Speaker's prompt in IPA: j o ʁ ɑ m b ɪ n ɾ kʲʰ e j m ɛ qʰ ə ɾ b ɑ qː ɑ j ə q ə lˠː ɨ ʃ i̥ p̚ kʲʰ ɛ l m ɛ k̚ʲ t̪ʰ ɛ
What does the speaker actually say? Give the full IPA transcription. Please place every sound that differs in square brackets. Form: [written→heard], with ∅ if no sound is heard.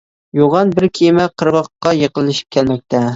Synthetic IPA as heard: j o ʁ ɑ [m→n] b ɪ [n→∅] ɾ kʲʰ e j m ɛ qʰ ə ɾ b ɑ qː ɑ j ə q ə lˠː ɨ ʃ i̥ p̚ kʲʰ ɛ l m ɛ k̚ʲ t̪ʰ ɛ

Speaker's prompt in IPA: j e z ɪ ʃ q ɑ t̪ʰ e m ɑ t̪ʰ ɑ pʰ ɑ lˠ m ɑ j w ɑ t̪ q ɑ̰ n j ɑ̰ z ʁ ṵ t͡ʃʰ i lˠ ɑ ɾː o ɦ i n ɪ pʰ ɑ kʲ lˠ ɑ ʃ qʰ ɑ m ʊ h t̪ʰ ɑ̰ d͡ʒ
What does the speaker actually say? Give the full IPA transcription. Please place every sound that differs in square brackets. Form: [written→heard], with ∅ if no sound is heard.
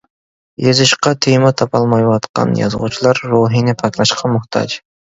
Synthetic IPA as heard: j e z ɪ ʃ q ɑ t̪ʰ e m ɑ t̪ʰ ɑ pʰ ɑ lˠ m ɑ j w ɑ t̪ q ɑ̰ n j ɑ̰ z ʁ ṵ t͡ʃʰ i lˠ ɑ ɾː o ɦ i n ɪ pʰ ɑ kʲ lˠ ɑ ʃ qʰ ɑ m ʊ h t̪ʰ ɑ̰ d͡ʒ

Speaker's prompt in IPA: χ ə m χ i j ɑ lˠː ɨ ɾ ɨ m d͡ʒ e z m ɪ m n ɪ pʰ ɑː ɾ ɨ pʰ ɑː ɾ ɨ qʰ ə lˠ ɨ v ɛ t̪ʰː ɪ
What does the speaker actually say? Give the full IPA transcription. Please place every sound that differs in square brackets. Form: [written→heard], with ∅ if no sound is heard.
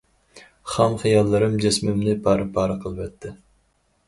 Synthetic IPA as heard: χ [ə→ɑ] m χ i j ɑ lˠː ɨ ɾ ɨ m d͡ʒ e [z→s] m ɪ m n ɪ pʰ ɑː ɾ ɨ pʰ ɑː ɾ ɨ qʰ ə lˠ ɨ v ɛ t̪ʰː ɪ

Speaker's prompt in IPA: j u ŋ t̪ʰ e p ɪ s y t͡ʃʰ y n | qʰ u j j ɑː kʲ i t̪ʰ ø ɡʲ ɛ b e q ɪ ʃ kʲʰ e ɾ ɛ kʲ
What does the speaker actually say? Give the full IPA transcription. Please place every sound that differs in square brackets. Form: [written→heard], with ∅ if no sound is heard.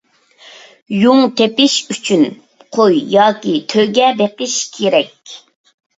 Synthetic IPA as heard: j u ŋ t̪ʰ e p ɪ [s→ʃ] y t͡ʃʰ y n | qʰ [u→o] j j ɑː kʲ i t̪ʰ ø ɡʲ ɛ b e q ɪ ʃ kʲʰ e ɾ ɛ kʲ

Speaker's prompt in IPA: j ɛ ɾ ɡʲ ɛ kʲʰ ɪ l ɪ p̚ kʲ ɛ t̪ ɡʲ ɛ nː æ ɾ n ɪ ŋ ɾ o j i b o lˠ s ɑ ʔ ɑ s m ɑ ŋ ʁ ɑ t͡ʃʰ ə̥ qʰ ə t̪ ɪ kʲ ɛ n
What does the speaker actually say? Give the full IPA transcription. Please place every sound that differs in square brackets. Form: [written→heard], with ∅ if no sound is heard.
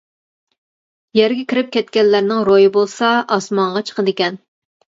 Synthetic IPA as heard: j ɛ ɾ ɡʲ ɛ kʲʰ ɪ [l→ɾ] ɪ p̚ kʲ ɛ t̪ [ɡʲ→kʲ] ɛ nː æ ɾ n ɪ ŋ ɾ o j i b o lˠ s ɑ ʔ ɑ s m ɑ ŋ ʁ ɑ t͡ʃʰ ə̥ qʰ ə [t̪→d̪] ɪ kʲ ɛ n

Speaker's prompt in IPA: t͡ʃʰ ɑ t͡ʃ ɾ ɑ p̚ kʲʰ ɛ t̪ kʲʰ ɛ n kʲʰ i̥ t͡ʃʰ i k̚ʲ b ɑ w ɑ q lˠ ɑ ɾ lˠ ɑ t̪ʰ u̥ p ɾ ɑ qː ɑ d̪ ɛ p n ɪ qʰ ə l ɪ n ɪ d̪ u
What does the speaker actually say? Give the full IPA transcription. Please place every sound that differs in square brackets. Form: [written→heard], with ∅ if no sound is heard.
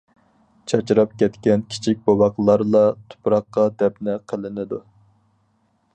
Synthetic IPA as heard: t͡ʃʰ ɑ t͡ʃ ɾ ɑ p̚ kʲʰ ɛ t̪ [kʲʰ→kʲ] ɛ n kʲʰ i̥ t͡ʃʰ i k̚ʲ b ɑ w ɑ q lˠ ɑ ɾ lˠ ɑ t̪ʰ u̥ p ɾ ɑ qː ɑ d̪ ɛ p n ɪ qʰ ə l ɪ n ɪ d̪ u

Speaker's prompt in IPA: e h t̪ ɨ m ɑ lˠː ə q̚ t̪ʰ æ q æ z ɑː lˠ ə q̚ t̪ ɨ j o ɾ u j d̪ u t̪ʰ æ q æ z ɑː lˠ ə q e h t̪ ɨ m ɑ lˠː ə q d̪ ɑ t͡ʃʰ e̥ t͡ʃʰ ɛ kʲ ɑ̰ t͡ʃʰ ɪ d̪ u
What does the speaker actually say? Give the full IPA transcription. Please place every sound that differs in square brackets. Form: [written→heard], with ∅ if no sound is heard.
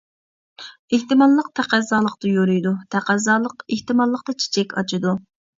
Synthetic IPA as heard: e h t̪ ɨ m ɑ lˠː ə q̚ t̪ʰ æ q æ z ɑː lˠ ə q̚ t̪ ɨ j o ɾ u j d̪ u t̪ʰ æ q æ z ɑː lˠ ə q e h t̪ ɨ m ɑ lˠː ə q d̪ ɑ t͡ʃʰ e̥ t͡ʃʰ ɛ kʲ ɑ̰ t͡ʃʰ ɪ d̪ u

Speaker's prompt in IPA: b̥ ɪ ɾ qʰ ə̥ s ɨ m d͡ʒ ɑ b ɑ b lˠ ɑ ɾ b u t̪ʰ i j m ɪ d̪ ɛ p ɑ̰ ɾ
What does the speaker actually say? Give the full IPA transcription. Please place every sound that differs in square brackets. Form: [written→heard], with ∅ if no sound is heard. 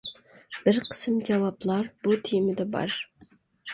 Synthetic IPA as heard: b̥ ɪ ɾ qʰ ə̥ s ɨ m d͡ʒ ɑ [b→w] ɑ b lˠ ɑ ɾ b u t̪ʰ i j m ɪ d̪ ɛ [p→b] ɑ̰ ɾ

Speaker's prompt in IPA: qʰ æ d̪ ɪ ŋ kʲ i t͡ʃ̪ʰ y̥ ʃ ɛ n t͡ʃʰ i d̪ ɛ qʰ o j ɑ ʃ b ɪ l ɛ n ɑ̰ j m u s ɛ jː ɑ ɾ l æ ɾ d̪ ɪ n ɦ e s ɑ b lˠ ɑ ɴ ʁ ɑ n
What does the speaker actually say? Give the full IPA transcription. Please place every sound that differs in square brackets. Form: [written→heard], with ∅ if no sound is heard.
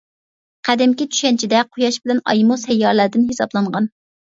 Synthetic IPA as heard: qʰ æ d̪ ɪ [ŋ→m] kʲ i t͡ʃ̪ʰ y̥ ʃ ɛ n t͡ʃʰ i d̪ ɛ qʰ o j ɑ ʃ b ɪ l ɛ n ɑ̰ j m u s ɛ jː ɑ ɾ l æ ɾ d̪ ɪ n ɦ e s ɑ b lˠ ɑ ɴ ʁ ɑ n

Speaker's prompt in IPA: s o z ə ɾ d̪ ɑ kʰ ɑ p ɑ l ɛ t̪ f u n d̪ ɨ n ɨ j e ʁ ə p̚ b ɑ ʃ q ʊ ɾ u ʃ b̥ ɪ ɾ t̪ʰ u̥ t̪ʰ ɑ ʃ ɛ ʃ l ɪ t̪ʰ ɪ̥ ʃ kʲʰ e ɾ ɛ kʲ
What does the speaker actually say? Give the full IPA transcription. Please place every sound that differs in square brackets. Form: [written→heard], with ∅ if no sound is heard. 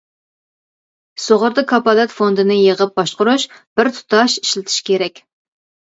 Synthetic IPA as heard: s o [z→ʁ] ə ɾ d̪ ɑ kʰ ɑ p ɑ l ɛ t̪ f [u→o] n d̪ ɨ n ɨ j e ʁ ə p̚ b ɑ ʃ q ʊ ɾ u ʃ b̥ ɪ ɾ t̪ʰ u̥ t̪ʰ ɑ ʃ [ɛ→i] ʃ l ɪ t̪ʰ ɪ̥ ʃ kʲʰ e ɾ ɛ kʲ

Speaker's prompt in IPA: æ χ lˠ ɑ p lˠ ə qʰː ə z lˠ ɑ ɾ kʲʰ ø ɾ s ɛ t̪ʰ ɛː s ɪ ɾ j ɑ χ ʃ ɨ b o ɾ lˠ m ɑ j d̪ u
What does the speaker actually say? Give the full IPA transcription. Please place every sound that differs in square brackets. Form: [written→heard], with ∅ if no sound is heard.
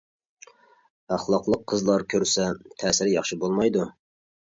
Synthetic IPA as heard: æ χ lˠ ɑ [p→q] lˠ ə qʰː ə z lˠ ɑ ɾ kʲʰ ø ɾ s ɛ t̪ʰ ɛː s ɪ ɾ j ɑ χ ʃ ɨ b o [ɾ→∅] lˠ m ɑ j d̪ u

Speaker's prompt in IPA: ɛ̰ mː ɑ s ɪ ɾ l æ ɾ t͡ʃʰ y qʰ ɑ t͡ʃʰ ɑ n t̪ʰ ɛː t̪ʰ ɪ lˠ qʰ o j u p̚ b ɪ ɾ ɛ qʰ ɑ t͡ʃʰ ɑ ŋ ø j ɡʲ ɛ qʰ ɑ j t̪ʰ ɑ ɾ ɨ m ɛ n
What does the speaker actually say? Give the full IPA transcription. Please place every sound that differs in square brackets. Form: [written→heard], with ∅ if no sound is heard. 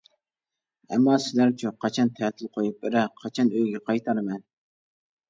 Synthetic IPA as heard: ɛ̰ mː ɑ s ɪ [ɾ→∅] l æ ɾ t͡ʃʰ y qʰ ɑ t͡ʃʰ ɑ n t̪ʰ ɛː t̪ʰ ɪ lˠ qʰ o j u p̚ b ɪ ɾ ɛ qʰ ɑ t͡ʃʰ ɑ [ŋ→n] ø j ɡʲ ɛ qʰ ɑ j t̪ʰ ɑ ɾ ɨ m ɛ n

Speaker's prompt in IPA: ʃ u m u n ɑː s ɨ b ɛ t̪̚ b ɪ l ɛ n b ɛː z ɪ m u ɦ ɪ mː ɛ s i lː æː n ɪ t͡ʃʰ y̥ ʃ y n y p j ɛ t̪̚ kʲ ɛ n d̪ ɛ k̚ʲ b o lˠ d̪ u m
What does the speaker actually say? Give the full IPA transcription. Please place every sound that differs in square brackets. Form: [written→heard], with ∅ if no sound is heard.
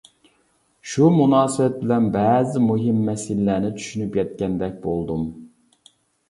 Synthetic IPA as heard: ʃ u m u n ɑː s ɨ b ɛ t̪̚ b ɪ l ɛ n b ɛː z ɪ m u ɦ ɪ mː ɛ s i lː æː n ɪ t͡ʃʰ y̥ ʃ y n y p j ɛ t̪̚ kʲ ɛ n d̪ ɛ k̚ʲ b o lˠ d̪ u m

